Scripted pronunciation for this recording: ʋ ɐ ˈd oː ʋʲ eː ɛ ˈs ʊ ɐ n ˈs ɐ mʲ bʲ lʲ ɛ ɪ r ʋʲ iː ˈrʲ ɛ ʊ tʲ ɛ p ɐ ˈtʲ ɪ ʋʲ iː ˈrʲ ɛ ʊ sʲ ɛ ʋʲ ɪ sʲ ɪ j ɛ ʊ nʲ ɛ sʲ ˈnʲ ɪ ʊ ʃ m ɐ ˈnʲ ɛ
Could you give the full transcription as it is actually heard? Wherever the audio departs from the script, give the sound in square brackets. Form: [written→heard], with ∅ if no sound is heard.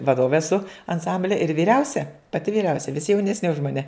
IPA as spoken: ʋ ɐ ˈd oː ʋʲ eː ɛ ˈs ʊ ɐ n ˈs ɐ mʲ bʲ lʲ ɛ ɪ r ʋʲ iː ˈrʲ ɛ ʊ [tʲ→sʲ] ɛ p ɐ ˈtʲ ɪ ʋʲ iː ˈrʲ ɛ ʊ sʲ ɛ ʋʲ ɪ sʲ ɪ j ɛ ʊ nʲ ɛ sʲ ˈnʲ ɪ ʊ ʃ m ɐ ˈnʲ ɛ